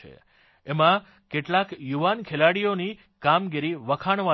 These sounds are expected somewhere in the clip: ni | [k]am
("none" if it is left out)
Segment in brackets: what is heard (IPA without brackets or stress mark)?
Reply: k